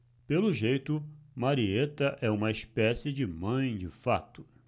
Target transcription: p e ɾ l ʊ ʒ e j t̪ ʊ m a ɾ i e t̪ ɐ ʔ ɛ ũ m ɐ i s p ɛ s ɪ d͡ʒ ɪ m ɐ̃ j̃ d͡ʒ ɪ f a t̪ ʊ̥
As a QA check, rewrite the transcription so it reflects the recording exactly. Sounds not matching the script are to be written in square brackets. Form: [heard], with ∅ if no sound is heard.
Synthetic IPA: p e [∅] l ʊ ʒ e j t̪ ʊ m a ɾ i e t̪ ɐ ʔ ɛ ũ m ɐ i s p ɛ s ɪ d͡ʒ ɪ m ɐ̃ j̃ d͡ʒ ɪ f a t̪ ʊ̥